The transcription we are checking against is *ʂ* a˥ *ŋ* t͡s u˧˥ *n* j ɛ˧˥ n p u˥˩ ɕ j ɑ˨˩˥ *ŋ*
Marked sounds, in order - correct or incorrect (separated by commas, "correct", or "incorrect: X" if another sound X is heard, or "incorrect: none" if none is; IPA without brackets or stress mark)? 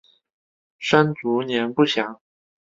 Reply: correct, incorrect: n, correct, correct